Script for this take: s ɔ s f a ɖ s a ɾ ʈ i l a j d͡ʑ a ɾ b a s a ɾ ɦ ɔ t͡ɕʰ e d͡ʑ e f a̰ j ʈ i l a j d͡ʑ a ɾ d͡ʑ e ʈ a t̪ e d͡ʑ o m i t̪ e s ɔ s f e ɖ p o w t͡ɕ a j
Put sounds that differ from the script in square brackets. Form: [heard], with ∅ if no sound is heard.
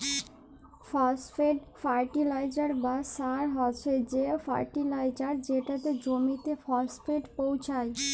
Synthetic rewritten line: [f] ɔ s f [e] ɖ [f] a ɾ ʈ i l a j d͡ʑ a ɾ b a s a ɾ ɦ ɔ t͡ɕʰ e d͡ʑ e f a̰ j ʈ i l a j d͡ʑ a ɾ d͡ʑ e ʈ a t̪ e d͡ʑ o m i t̪ e [f] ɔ s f e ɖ p o w [t͡ɕʰ] a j